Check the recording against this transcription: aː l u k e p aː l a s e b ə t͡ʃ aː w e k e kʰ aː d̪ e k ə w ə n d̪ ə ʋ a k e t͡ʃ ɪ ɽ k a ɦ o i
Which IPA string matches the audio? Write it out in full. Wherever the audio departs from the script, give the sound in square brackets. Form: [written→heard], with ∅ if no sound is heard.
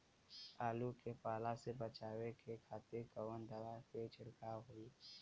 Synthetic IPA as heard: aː l u k e p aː l a s e b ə t͡ʃ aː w e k e kʰ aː [d̪→t̪] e k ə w ə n d̪ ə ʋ a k e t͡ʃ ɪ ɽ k a ɦ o i